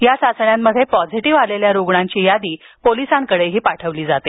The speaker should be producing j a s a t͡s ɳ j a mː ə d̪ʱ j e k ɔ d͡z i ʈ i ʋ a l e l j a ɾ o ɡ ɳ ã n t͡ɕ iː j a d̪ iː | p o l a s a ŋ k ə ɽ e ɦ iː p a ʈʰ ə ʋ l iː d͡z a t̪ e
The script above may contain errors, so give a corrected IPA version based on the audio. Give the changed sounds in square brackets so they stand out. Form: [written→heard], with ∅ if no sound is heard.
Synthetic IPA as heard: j a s a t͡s ɳ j a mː ə d̪ʱ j e [k→p] ɔ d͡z i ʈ i ʋ a l e l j a ɾ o ɡ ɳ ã [n→ɲ] t͡ɕ iː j a d̪ iː | p o l [a→i] s a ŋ k ə ɽ e ɦ iː p a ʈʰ ə ʋ l iː d͡z a t̪ e